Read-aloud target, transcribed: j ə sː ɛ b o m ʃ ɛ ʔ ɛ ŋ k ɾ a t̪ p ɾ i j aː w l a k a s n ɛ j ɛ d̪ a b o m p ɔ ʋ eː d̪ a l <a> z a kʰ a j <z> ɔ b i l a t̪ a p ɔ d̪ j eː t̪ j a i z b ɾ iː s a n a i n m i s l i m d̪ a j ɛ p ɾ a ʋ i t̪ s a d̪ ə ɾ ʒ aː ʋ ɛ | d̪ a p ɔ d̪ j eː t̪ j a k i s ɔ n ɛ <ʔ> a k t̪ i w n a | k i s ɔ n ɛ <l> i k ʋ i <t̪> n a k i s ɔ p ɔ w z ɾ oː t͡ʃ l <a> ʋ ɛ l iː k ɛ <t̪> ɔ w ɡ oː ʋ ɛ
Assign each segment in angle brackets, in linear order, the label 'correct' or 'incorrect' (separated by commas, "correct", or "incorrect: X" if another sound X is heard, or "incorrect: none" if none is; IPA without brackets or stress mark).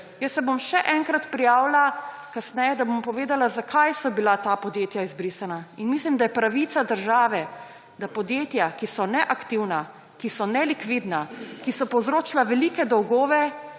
correct, incorrect: s, correct, correct, incorrect: d̪, correct, incorrect: d̪